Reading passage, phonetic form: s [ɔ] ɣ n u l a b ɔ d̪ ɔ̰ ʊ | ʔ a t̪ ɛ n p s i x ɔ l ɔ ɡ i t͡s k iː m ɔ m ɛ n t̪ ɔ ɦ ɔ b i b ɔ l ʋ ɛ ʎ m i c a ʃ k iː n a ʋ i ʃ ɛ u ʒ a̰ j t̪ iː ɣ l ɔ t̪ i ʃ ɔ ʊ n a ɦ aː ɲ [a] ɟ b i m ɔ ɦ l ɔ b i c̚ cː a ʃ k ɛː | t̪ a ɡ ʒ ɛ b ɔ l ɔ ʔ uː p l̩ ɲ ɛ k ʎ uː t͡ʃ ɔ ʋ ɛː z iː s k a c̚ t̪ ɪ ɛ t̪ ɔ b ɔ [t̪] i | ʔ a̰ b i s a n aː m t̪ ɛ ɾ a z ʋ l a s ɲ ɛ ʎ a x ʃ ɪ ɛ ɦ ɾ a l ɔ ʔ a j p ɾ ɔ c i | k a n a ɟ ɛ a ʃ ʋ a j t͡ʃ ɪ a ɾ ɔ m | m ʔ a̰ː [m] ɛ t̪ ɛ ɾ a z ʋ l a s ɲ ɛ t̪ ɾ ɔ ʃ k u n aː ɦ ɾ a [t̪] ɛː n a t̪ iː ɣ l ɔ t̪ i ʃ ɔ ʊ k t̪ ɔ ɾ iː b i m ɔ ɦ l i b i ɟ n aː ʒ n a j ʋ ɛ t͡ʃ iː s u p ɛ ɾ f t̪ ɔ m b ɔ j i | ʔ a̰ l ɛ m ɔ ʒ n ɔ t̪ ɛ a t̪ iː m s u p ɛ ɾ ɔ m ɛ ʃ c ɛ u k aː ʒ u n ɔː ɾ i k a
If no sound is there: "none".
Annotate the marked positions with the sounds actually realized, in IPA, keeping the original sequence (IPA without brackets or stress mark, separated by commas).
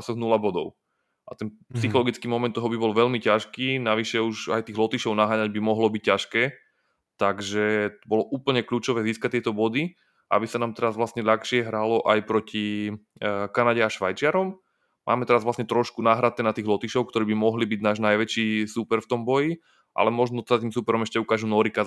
ɔ, a, d̪, m, t̪